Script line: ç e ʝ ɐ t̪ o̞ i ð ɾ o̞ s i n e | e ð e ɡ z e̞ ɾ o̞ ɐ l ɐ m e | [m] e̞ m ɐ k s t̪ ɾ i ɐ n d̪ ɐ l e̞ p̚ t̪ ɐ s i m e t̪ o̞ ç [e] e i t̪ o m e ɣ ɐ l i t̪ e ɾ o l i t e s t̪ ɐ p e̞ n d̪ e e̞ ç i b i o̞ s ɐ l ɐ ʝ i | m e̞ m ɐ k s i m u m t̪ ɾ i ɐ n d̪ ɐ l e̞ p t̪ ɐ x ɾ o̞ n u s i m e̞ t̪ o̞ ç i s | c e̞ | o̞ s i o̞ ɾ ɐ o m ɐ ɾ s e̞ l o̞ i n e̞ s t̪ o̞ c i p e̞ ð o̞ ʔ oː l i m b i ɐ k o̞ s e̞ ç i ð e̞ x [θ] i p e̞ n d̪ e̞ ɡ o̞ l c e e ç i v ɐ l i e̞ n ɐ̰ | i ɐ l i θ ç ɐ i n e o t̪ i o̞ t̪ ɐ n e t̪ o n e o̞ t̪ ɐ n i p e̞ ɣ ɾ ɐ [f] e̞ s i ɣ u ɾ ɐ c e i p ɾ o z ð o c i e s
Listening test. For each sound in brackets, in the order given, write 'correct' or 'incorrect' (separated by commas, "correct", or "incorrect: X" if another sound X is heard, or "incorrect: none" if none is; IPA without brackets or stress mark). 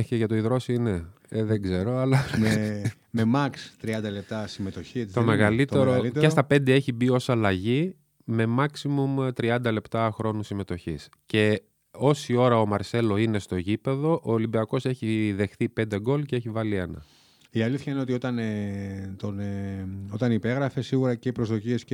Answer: correct, incorrect: i, correct, correct